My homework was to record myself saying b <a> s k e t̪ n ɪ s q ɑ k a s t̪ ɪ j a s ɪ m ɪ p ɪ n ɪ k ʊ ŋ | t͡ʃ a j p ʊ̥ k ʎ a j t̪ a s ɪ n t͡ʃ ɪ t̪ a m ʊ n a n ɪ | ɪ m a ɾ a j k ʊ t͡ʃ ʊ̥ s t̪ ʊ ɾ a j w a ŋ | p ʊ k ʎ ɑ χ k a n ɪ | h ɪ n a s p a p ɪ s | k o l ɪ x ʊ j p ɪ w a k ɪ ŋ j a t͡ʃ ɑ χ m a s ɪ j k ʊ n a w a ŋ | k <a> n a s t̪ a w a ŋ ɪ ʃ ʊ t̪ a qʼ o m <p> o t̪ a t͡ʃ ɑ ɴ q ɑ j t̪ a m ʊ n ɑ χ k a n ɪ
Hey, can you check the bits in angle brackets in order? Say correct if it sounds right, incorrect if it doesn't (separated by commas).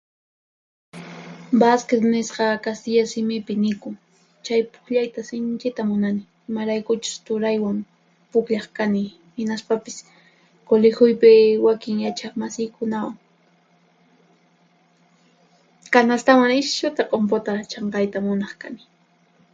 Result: correct, correct, correct